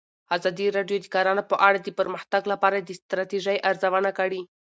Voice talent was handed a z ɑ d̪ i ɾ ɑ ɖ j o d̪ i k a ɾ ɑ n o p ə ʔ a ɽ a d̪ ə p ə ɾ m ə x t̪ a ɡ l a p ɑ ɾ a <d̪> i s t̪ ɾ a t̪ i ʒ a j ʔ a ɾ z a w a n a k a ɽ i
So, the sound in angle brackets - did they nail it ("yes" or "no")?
yes